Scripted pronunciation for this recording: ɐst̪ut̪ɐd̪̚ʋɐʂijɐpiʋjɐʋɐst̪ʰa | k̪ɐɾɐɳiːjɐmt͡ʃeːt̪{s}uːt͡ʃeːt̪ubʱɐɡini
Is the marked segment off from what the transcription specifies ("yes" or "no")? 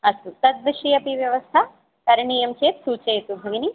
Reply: no